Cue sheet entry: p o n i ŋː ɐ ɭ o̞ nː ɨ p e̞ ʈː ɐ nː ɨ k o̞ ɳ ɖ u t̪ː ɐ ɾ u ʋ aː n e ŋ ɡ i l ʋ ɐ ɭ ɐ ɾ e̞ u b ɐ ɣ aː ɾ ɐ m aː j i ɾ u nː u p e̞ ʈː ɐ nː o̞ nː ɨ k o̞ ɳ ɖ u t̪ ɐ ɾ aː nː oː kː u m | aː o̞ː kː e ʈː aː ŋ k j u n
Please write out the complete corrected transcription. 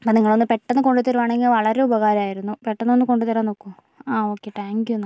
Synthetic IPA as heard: p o n i ŋː ɐ ɭ o̞ nː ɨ p e̞ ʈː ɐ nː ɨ k o̞ ɳ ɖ u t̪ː ɐ ɾ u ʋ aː ɳ e ŋ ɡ i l ʋ ɐ ɭ ɐ ɾ e̞ u b ɐ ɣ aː ɾ ɐ m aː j i ɾ u nː u p e̞ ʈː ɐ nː o̞ nː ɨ k o̞ ɳ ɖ u t̪ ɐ ɾ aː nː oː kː u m | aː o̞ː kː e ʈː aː ŋ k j u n